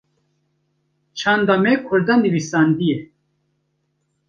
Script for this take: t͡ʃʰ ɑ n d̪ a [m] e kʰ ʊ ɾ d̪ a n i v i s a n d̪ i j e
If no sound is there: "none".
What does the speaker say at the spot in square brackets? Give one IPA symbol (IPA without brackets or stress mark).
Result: m